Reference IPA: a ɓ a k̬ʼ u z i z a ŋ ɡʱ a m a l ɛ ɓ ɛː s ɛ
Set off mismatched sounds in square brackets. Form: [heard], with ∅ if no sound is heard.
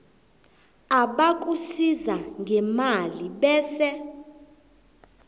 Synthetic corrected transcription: a ɓ a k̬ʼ u [s] i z a ŋ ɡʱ [ɛ] m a l [i] ɓ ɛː s ɛ